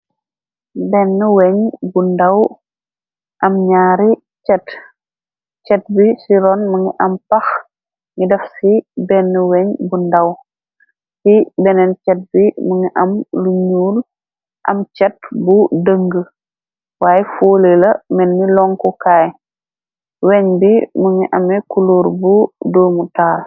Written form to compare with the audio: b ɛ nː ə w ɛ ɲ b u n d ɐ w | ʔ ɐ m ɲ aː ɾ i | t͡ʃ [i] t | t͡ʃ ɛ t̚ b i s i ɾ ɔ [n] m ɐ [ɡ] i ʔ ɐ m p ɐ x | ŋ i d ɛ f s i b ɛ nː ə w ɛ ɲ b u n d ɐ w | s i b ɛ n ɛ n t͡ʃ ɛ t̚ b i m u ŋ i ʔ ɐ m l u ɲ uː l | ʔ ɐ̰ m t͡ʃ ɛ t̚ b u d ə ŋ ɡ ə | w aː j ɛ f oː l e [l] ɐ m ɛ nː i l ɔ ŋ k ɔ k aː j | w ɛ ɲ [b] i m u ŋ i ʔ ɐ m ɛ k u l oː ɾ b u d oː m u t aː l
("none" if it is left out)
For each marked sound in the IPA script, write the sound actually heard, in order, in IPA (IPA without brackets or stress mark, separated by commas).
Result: ɛ, n, ŋ, l, b